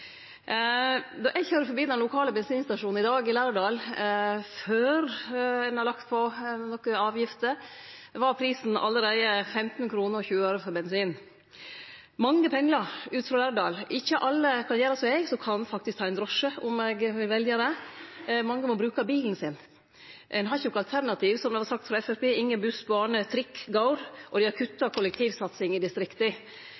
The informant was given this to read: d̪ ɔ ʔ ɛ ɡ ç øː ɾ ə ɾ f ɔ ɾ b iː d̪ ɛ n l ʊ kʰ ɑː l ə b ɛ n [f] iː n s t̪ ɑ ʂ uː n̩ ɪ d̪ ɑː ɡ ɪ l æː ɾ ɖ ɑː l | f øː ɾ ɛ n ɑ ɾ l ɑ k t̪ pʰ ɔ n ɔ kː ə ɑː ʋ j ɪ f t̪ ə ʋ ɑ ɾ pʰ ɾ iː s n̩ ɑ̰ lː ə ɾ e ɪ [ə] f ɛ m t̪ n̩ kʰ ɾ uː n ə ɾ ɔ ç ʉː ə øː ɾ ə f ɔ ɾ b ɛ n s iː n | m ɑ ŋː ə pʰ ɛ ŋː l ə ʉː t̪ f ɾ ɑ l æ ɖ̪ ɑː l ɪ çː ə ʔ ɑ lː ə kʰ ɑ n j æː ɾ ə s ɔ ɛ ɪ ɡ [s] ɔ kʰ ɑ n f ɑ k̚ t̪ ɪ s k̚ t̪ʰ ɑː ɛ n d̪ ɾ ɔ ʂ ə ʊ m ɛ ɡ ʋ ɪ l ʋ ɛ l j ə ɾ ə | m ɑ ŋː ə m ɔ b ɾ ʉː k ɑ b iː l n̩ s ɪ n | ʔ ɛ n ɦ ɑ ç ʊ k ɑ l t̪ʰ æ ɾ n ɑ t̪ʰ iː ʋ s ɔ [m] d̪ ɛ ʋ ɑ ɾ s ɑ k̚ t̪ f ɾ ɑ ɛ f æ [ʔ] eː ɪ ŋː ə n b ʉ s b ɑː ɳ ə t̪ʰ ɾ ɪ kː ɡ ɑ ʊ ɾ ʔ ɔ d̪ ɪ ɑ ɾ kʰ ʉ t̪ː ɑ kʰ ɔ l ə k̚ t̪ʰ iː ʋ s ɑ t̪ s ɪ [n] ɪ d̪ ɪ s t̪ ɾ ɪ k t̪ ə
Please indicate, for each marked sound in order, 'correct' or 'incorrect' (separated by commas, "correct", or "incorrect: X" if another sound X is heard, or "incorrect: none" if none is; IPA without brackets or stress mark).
incorrect: s, correct, correct, correct, incorrect: p, incorrect: ŋ